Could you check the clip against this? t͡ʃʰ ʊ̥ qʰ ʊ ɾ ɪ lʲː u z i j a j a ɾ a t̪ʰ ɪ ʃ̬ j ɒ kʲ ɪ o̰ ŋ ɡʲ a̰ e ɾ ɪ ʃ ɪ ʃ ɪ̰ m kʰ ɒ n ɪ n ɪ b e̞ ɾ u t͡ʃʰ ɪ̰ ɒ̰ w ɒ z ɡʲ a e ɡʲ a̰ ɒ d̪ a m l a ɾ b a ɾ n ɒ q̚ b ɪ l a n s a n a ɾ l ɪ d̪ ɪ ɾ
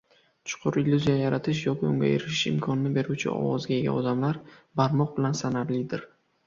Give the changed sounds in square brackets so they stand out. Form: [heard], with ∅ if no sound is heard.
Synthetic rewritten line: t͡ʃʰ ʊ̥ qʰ ʊ ɾ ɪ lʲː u z i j a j a ɾ a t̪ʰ ɪ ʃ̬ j ɒ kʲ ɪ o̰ ŋ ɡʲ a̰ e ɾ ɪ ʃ ɪ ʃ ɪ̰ m kʰ ɒ n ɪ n ɪ b e̞ ɾ u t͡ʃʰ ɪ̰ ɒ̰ w ɒ z ɡʲ a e ɡʲ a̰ ɒ d̪ a m l a ɾ b a ɾ [m] ɒ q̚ b ɪ l a n s a n a ɾ l ɪ d̪ ɪ ɾ